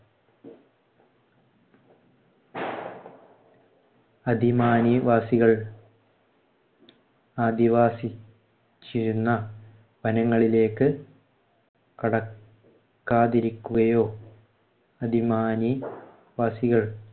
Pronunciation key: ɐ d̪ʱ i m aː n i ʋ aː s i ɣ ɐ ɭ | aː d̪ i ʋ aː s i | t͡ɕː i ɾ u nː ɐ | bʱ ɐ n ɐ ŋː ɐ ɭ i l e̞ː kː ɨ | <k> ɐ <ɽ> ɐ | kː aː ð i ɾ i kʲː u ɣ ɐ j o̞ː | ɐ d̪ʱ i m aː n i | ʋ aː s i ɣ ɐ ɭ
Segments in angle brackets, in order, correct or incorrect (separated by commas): correct, correct